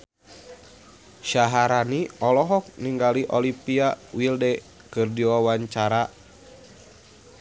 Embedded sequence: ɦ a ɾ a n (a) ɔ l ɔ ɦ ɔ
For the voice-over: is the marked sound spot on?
no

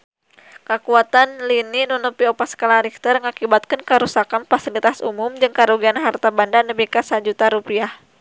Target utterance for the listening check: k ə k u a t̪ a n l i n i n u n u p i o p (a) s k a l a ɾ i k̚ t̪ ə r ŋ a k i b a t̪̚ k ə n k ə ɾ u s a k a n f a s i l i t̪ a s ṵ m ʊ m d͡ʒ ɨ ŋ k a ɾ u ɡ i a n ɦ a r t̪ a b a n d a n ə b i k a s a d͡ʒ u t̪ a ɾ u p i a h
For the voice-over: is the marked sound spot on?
yes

